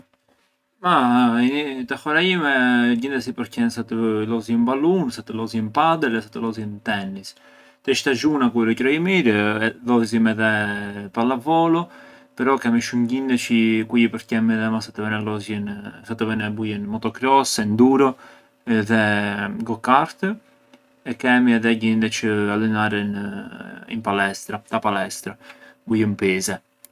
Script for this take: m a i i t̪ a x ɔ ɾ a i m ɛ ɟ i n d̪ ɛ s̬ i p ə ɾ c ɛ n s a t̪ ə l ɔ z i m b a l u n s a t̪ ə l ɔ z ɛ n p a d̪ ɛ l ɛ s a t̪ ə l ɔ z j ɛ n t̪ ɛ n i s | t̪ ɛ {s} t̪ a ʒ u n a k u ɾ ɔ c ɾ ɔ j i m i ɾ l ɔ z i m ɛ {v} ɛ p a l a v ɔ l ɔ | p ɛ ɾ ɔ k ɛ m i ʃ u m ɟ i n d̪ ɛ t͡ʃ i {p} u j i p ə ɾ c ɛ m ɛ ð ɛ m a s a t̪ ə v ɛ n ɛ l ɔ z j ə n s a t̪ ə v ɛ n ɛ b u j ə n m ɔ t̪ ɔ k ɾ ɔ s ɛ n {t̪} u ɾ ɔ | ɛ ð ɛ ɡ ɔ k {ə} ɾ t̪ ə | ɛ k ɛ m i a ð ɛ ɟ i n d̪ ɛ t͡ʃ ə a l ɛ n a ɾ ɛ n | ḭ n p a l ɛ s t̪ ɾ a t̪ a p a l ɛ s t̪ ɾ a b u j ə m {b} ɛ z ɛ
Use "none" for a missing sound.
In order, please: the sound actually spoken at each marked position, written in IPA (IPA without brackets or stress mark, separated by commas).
ʃ, ð, k, d̪, a, p